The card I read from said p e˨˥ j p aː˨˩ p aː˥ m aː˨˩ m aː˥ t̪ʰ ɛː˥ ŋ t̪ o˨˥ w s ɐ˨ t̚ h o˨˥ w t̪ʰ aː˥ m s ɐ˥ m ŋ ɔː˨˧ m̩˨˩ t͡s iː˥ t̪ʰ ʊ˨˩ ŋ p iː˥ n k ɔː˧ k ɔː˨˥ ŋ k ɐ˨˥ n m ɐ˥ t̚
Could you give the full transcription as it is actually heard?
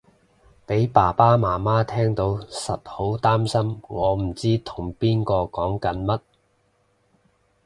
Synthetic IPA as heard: p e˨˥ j p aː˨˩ p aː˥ m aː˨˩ m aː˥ t̪ʰ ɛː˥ ŋ t̪ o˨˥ w s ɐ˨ t̚ h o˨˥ w t̪ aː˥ m s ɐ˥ m ŋ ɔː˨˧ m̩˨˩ t͡s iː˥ t̪ʰ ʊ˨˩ ŋ p iː˥ n k ɔː˧ k ɔː˨˥ ŋ k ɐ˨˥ n m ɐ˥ t̚